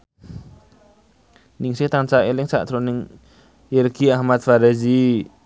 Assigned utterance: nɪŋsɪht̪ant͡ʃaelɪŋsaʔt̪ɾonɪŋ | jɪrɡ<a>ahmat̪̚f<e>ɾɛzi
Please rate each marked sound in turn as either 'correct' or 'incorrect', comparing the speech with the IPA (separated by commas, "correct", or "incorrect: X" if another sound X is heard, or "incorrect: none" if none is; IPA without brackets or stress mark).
incorrect: i, incorrect: a